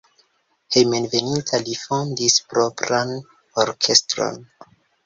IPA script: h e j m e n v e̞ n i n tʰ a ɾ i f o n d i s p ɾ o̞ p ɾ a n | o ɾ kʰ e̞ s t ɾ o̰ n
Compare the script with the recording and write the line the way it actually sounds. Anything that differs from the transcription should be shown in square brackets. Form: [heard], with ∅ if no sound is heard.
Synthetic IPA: h e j m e n v e̞ n i n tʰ a [l] i f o n d i s p ɾ o̞ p ɾ a n | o ɾ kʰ e̞ s t ɾ o̰ n